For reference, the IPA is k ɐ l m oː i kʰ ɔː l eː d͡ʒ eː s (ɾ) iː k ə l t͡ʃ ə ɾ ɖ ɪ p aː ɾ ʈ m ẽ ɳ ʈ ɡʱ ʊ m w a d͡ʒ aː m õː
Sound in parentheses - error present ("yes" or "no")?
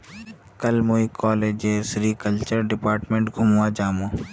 no